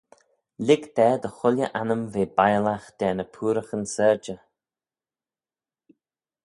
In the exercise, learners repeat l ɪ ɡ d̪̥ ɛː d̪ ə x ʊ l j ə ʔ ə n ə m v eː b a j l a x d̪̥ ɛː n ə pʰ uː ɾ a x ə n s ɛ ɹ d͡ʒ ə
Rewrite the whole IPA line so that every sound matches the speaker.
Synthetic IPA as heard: l ɪ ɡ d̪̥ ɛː d̪ ə x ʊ l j ə ʔ a n ə m v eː b a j l a x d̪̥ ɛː n ə pʰ uː ɾ ə x ə n s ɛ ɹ d͡ʒ ə

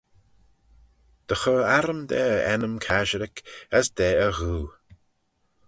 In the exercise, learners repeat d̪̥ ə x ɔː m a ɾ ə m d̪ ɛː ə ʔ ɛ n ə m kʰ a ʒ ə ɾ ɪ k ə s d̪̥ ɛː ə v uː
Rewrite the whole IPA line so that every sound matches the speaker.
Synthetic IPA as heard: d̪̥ ə x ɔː a ɾ ə m d̪ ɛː ə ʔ ɛ n ə m kʰ a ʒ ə ɾ ɪ k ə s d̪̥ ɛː ə ɣ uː

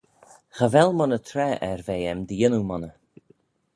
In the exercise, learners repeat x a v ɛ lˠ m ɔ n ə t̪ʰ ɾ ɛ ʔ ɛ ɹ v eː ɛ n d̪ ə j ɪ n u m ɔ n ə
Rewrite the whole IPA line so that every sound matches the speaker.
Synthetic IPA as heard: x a v ɛ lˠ m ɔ n ə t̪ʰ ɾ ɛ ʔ ɛ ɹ v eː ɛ m d̪ ə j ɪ n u m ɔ n ə

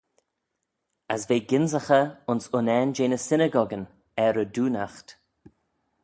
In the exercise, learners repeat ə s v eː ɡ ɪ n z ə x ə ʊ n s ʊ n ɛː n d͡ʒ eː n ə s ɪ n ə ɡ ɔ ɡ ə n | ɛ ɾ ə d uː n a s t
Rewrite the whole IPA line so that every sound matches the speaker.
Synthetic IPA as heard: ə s v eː ɡ ɪ n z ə x ə ʊ n s ʊ n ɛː n d͡ʒ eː n ə s ɪ n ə ɡ ɔ ɡ ə n | ɛ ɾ ə d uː n a x t

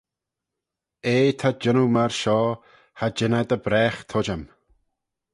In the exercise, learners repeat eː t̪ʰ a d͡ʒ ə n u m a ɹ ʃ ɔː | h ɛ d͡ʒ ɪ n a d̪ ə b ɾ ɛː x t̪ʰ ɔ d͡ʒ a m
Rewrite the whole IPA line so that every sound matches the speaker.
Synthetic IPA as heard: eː t̪ʰ a d͡ʒ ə n u m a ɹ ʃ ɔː | h a d͡ʒ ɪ n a d̪ ə b ɾ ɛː x t̪ʰ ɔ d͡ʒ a m

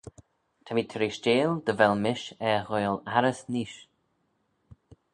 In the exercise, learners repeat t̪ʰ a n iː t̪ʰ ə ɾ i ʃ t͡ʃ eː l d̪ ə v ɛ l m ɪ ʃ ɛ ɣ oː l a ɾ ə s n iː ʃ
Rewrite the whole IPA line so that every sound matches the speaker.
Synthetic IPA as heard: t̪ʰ a m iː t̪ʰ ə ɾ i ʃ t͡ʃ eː l d̪ ə v ɛ l m ɪ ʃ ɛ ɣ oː l a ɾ ə s n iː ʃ

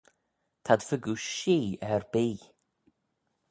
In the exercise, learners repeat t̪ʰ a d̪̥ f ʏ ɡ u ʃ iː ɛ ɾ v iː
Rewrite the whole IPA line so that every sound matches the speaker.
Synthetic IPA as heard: t̪ʰ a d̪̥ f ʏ ɡ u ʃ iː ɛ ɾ b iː

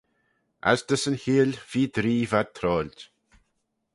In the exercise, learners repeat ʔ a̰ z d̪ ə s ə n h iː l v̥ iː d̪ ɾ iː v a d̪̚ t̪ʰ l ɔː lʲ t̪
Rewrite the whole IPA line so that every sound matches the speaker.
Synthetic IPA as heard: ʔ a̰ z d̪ ə s ə n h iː l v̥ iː d̪ ɾ iː v a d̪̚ t̪ʰ ɾ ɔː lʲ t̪

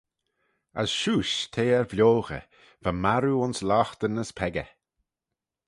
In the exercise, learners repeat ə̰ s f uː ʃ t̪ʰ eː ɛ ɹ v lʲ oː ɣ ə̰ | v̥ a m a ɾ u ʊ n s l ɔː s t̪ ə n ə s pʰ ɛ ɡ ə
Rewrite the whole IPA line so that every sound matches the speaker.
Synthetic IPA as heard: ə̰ s ʃ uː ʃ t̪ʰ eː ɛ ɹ v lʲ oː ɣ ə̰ | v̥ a m a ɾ u ʊ n s l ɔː x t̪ ə n ə s pʰ ɛ ɡ ə

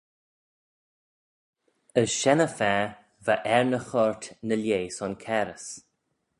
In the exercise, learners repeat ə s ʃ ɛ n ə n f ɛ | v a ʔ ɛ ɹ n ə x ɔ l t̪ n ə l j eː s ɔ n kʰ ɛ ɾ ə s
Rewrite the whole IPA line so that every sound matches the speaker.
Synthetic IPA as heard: ə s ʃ ɛ n ə f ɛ | v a ʔ ɛ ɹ n ə x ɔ ɹ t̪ n ə l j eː s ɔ n kʰ ɛ ɾ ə s

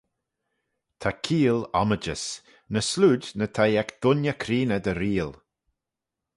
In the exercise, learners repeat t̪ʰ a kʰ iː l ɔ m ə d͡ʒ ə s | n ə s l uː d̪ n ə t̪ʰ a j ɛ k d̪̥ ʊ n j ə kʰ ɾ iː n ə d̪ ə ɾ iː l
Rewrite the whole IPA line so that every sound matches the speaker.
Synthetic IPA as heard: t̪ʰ a kʰ iː l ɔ m ə d͡ʒ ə s | n ə s l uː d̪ n ə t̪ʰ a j ɛ k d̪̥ ʊ n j ə kʰ ɾ iː n ə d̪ ə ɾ iː l

